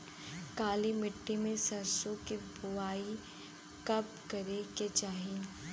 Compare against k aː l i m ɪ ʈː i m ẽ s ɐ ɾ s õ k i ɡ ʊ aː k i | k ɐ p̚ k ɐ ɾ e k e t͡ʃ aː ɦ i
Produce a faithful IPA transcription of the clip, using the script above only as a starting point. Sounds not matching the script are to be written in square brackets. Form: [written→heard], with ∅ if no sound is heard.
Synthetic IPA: k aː l i m ɪ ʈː i m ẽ s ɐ ɾ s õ k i [ɡ→b] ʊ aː [k→∅] i | k ɐ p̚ k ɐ ɾ e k e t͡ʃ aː ɦ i